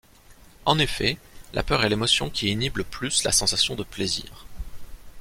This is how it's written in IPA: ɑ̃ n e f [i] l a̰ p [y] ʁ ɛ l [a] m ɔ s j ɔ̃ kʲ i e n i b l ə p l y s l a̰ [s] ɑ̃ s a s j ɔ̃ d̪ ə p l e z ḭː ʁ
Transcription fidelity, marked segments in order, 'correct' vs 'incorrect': incorrect: ɛ, incorrect: œ, incorrect: e, correct

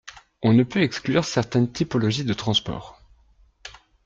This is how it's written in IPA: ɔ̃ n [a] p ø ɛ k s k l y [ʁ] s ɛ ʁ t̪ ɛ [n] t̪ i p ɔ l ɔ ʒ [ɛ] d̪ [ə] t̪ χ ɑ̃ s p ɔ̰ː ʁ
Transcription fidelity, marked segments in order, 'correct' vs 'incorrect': incorrect: ə, correct, correct, incorrect: i, correct

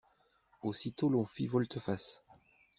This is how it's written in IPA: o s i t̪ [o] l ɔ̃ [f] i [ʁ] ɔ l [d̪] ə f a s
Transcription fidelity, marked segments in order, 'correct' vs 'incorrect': correct, correct, incorrect: v, incorrect: t̪

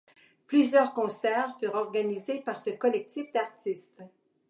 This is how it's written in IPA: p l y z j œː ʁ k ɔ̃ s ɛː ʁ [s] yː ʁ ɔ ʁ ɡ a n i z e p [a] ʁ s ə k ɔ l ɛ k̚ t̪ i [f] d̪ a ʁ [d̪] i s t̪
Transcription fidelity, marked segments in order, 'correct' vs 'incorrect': incorrect: f, correct, correct, incorrect: t̪

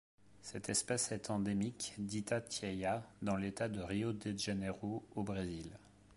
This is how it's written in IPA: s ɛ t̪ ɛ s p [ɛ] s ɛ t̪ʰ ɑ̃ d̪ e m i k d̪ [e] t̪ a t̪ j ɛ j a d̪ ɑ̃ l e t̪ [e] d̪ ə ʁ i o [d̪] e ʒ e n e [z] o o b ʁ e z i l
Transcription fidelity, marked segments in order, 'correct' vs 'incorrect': correct, incorrect: i, incorrect: a, correct, incorrect: ʁ

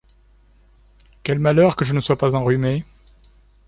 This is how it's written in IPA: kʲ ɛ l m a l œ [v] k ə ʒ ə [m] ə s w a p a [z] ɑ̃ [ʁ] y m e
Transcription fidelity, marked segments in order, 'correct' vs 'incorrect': incorrect: ʁ, incorrect: n, correct, correct

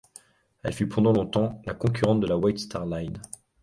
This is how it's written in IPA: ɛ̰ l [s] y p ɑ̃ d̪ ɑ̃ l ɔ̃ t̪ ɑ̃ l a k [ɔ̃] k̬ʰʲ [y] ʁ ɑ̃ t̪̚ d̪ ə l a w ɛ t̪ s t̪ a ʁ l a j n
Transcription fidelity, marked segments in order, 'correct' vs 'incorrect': incorrect: f, correct, correct

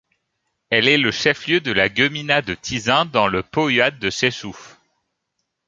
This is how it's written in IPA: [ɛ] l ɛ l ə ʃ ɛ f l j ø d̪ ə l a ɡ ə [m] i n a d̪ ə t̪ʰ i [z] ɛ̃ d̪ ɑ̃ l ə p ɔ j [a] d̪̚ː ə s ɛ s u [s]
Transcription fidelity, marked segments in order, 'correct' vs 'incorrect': correct, correct, correct, correct, incorrect: f

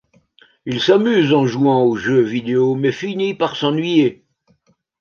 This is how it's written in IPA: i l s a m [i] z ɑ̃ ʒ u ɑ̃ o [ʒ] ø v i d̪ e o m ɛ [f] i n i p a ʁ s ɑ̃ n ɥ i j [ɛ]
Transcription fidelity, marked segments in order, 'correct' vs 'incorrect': incorrect: y, correct, correct, incorrect: e

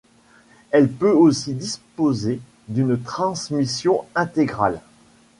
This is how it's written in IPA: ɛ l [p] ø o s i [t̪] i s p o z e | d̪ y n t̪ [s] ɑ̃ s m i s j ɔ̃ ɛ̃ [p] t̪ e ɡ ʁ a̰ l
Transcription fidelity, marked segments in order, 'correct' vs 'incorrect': correct, incorrect: d̪, incorrect: χ, incorrect: none

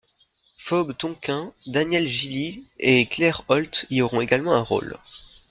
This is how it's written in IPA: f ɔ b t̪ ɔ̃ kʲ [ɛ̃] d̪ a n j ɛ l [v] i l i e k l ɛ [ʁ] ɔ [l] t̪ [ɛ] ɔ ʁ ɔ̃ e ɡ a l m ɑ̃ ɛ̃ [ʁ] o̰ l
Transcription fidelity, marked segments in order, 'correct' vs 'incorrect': correct, incorrect: ʒ, correct, correct, incorrect: i, correct

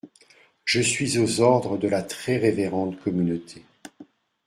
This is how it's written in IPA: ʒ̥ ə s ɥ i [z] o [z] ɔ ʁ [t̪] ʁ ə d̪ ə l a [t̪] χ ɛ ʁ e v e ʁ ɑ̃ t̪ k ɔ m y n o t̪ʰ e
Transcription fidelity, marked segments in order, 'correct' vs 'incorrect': correct, correct, incorrect: d̪, correct

